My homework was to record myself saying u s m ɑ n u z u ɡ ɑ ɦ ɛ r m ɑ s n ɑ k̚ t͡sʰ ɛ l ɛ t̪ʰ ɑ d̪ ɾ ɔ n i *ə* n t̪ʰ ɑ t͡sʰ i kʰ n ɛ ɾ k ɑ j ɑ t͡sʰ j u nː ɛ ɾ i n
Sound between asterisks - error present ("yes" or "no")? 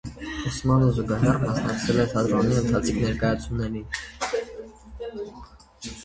no